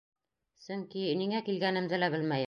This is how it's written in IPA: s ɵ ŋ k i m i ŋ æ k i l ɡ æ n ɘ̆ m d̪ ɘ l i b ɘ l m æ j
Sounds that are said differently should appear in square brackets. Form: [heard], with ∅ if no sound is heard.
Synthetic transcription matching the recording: s ɵ ŋ k i [n] i ŋ æ k i l ɡ æ n ɘ̆ m d̪ ɘ l [æ] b ɘ l m æ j